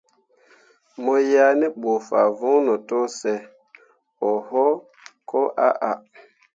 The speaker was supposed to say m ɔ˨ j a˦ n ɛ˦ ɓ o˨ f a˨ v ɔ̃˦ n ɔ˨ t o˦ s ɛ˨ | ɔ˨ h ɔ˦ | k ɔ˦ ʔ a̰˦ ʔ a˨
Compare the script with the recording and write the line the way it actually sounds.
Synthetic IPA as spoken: m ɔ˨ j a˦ n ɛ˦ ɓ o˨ f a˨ v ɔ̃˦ n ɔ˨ t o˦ s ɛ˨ | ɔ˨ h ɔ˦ | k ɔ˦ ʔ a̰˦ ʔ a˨